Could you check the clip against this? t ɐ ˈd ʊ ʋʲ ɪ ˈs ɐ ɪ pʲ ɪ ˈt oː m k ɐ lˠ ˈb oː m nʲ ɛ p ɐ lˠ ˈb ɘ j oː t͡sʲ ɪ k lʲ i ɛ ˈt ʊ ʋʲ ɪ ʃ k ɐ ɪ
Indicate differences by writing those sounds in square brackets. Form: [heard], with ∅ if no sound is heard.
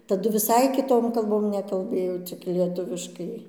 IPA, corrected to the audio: t ɐ ˈd ʊ ʋʲ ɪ ˈs ɐ ɪ [kʲ] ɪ ˈt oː m k ɐ lˠ ˈb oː m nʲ ɛ [k] ɐ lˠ ˈb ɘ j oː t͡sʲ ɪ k lʲ i ɛ ˈt ʊ ʋʲ ɪ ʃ k ɐ ɪ